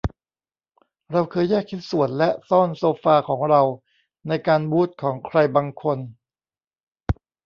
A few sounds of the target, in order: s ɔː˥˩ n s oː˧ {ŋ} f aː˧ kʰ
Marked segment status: incorrect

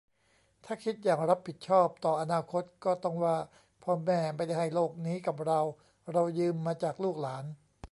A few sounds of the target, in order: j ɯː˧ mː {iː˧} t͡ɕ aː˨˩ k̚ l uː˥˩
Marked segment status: incorrect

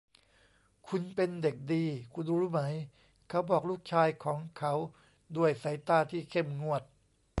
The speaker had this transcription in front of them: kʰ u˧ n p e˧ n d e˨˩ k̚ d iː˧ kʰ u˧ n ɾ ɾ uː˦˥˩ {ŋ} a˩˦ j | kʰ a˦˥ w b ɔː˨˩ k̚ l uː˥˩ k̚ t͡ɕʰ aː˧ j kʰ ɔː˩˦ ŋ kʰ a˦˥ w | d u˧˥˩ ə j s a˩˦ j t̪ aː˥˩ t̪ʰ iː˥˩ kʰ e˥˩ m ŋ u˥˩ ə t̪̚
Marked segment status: incorrect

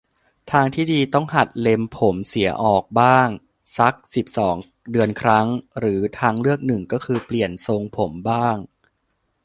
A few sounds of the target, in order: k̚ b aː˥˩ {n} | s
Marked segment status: incorrect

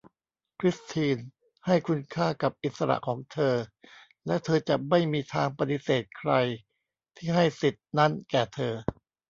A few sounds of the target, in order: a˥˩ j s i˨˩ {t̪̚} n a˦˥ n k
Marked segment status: correct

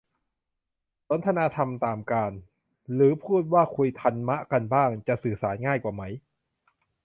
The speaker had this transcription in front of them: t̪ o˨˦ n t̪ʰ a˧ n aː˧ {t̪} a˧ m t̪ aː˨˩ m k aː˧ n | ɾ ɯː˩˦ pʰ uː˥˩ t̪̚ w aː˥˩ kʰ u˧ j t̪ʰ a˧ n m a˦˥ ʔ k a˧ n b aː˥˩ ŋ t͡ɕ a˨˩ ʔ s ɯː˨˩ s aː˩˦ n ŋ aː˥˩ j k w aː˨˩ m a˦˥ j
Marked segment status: incorrect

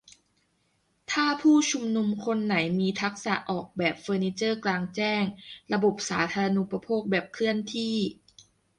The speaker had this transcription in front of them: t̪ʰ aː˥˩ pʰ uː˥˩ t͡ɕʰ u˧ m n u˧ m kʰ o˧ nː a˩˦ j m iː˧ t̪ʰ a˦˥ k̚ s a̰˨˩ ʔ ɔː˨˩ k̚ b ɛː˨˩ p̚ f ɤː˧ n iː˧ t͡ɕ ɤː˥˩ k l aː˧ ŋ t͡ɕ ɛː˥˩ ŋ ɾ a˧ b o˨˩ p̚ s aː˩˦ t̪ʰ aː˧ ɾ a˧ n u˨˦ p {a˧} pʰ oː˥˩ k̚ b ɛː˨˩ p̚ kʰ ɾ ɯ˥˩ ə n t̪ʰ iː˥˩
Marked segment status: correct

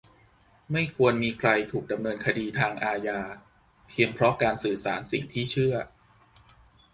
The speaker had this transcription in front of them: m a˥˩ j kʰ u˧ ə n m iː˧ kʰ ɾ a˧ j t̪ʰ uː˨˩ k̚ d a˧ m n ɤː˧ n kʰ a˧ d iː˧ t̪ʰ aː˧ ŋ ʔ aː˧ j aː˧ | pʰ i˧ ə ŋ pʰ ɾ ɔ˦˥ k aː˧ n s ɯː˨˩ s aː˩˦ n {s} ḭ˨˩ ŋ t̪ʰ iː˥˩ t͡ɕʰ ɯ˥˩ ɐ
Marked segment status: correct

